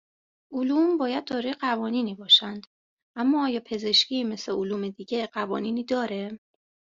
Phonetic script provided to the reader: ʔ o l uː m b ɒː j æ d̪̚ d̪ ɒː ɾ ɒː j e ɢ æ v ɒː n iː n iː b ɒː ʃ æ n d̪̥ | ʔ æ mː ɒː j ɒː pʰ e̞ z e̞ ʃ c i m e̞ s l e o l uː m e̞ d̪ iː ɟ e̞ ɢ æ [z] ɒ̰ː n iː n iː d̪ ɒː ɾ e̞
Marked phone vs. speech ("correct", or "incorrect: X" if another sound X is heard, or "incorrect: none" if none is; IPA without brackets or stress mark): incorrect: v